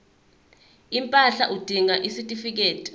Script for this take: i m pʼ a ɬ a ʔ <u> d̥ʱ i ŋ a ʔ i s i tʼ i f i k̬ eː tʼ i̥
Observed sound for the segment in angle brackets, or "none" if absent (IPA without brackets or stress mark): u